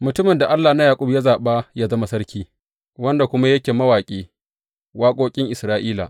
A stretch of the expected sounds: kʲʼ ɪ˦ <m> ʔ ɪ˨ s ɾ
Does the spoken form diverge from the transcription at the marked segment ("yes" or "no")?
yes